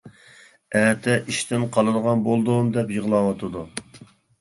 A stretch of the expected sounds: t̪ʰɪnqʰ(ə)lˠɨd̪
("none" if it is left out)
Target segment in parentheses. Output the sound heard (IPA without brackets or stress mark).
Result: ɑ